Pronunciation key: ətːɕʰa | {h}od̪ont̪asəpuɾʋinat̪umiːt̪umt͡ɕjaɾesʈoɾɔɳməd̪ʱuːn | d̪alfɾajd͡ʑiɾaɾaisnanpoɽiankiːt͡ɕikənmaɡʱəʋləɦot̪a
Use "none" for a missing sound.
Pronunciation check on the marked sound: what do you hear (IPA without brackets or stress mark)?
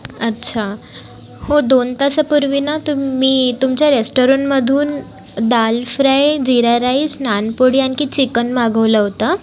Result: h